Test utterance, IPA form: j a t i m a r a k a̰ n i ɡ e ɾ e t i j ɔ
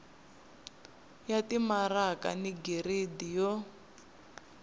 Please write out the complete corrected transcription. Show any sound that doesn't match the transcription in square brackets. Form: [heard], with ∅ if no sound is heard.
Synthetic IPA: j a t i m a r a k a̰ n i ɡ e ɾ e [d] i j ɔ